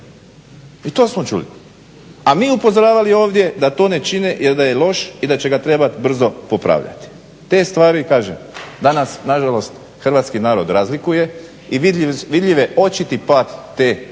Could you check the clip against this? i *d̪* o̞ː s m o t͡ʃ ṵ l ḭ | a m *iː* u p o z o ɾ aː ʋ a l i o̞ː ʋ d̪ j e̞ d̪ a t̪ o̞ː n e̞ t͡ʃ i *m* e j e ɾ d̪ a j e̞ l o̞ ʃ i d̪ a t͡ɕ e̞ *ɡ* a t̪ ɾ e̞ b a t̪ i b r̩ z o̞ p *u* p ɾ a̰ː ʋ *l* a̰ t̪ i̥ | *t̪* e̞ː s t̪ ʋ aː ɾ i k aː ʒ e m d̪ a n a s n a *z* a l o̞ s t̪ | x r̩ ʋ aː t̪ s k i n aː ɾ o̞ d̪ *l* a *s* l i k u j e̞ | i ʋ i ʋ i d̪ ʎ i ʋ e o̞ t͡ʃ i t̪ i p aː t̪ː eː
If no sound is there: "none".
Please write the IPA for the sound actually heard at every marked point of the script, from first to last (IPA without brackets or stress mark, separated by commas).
t̪, iː, n, ɡ, o, ʎ, t̪, ʒ, ɾ, z